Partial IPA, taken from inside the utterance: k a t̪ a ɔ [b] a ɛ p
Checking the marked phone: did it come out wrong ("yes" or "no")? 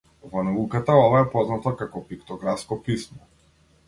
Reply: yes